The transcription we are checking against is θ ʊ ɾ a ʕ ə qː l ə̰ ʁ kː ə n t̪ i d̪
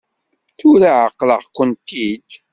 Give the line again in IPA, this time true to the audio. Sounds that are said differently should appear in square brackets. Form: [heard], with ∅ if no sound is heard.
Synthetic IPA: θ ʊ ɾ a ʕ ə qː l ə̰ ʁ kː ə n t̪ i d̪